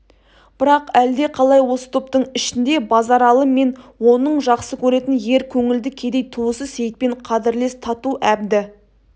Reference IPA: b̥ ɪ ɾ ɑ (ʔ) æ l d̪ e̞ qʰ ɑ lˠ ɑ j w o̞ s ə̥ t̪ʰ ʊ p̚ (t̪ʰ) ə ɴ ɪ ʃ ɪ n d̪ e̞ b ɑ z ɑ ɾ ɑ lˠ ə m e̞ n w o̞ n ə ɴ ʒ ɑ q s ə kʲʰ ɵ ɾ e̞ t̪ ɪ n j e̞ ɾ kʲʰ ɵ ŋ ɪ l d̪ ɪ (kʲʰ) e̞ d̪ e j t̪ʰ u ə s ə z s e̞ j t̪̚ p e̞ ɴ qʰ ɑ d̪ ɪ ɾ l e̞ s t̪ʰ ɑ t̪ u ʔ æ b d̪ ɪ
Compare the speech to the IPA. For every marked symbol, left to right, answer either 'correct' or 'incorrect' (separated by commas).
incorrect, incorrect, correct